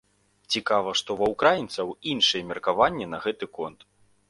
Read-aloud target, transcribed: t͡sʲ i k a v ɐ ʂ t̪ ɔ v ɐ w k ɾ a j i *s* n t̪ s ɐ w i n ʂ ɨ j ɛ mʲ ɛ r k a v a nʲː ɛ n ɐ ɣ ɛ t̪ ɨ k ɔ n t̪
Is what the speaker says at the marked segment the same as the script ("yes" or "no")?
no